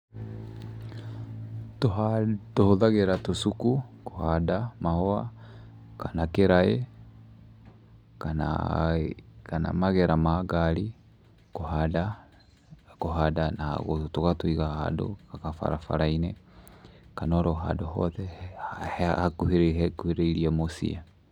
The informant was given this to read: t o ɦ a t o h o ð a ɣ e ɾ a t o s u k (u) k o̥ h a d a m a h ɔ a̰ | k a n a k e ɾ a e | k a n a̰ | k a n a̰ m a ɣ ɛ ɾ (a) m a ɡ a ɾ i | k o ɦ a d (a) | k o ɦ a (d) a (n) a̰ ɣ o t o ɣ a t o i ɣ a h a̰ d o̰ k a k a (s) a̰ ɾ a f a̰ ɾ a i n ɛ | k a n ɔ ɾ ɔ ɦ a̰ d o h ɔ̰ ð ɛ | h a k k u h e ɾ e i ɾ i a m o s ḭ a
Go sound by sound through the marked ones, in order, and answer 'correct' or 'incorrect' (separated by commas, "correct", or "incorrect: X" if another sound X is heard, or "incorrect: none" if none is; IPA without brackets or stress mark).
correct, correct, correct, correct, correct, incorrect: f